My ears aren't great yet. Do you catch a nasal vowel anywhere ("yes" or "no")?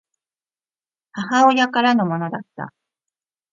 no